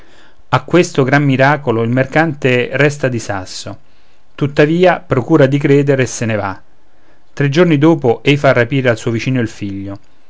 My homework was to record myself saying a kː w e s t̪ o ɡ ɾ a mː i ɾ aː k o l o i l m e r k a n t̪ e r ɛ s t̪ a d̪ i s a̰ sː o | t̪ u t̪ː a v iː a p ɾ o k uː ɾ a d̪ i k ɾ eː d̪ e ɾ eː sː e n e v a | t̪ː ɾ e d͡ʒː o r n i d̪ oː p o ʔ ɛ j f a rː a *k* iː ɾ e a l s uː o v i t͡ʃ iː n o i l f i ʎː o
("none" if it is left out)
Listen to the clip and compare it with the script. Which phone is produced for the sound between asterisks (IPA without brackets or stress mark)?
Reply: p